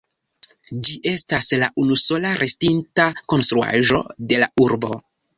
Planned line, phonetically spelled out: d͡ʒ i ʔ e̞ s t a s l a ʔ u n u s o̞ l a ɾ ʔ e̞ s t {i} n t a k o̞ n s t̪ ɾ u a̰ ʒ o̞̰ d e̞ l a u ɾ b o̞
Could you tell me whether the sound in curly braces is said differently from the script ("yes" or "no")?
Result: no